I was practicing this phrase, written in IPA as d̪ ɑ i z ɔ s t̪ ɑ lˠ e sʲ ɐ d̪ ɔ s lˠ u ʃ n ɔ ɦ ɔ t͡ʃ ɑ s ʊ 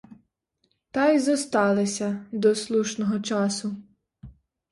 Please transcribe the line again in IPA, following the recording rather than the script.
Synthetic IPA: t̪ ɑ j z ɔ s t̪ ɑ lˠ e sʲ ɐ d̪ ɔ s lˠ u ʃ n ɔ ɦ ɔ t͡ʃ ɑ s ʊ

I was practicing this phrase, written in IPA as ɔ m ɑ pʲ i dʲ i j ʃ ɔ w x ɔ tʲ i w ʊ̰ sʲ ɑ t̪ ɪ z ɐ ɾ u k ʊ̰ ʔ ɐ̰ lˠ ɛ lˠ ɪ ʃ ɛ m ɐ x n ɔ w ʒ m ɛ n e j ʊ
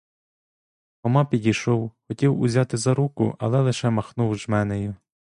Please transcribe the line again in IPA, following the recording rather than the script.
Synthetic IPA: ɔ m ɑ pʲ i dʲ i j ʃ ɔ w x ɔ tʲ i w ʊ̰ zʲ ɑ t̪ ɪ z ɐ ɾ u k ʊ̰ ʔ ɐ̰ lˠ ɛ lˠ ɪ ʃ ɛ m ɐ x n u w ʒ m ɛ n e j ʊ

